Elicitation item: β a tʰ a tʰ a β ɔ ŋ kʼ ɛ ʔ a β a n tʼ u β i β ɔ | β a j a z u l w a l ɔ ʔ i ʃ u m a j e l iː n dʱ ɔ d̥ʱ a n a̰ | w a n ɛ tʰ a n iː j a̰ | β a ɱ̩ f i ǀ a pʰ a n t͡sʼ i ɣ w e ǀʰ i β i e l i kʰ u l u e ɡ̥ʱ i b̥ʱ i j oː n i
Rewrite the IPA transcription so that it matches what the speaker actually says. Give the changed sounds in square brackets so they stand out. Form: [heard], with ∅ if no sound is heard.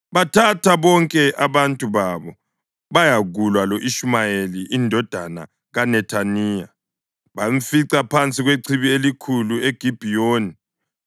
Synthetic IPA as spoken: β a tʰ a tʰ a β ɔ ŋ kʼ ɛ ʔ a β a n tʼ u β [a] β ɔ | β a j a [ɣ] u l w a l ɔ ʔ i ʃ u m a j e l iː n dʱ ɔ d̥ʱ a n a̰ | [ɣ] a n ɛ tʰ a n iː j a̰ | β a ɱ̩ f i ǀ a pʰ a n t͡sʼ i ɣ w e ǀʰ i β i e l i kʰ u l u e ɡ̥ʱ i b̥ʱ i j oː n i